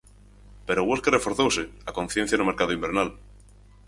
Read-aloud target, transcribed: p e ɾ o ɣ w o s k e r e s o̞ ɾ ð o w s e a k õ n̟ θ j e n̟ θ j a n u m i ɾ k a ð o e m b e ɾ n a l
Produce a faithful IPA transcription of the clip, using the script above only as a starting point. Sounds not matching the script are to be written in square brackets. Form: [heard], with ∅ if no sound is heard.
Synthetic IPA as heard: p e ɾ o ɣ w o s k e r e [f] o̞ ɾ [θ] o w s e a k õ n̟ θ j e n̟ θ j a n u m [e] ɾ k a ð o [i] m b e ɾ n a l